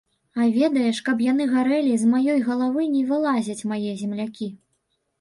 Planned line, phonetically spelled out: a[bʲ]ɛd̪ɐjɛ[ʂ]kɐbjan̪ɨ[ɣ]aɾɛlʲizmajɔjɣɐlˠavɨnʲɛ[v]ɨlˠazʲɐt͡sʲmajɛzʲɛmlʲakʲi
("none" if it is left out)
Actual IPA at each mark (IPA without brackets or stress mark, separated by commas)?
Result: vʲ, ʂ, ɣ, v